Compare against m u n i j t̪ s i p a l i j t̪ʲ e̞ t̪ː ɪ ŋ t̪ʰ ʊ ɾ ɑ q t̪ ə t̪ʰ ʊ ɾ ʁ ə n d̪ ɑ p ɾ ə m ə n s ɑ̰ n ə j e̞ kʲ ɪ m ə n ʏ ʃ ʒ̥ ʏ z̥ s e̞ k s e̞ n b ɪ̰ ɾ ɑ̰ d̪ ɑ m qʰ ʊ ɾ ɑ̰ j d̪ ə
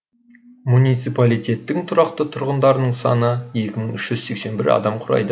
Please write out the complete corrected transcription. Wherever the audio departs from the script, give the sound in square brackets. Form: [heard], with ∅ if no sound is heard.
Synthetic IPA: m u n i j t̪ s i p a l i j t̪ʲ e̞ t̪ː ɪ ŋ t̪ʰ ʊ ɾ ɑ q t̪ ə t̪ʰ ʊ ɾ ʁ ə n d̪ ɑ [∅] ɾ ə [n] ə [ɴ] s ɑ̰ n ə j e̞ kʲ ɪ m ə [ɴ] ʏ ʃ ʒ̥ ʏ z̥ s e̞ k s e̞ n b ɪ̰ ɾ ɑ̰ d̪ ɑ m qʰ ʊ ɾ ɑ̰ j d̪ ə